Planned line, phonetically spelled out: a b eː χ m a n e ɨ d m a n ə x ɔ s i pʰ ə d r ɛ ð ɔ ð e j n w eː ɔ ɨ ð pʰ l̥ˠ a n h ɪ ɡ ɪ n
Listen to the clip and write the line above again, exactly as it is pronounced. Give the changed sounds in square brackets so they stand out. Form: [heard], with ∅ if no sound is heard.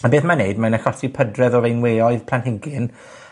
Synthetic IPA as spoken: a b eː [θ] m a n e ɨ d m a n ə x ɔ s i pʰ ə d r ɛ ð ɔ [v] e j n w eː ɔ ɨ ð pʰ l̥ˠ a n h ɪ ɡ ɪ n